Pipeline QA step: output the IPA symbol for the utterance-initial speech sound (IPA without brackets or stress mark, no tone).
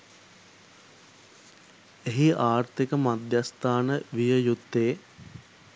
e